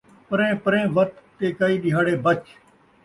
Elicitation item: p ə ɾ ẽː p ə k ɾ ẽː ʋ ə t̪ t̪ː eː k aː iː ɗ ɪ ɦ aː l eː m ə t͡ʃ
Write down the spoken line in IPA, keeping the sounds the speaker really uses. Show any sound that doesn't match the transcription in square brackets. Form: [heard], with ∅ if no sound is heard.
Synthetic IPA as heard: p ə ɾ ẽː p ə [∅] ɾ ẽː ʋ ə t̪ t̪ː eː k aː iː ɗ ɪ ɦ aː [ɽ] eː [b] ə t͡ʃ